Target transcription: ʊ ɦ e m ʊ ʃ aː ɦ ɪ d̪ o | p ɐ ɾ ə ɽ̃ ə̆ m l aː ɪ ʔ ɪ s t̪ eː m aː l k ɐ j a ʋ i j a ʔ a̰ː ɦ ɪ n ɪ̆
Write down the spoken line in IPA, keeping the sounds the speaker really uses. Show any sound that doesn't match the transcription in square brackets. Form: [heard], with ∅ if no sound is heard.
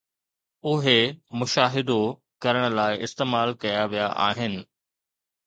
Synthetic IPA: ʊ ɦ e m ʊ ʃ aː ɦ ɪ d̪ o | [k] ɐ ɾ ə ɽ̃ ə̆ [∅] l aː ɪ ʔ ɪ s t̪ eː m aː l k ɐ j a ʋ i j a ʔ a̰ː ɦ ɪ n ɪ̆